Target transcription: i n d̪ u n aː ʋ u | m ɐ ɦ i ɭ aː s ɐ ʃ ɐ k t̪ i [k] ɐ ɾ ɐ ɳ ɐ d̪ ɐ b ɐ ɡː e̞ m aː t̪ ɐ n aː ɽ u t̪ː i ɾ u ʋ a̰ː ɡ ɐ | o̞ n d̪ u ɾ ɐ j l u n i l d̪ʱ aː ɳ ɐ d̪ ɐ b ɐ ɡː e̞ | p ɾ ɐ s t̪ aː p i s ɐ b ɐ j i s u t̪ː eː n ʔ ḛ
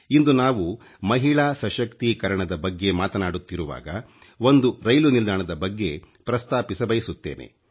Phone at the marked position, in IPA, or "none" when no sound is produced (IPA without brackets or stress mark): k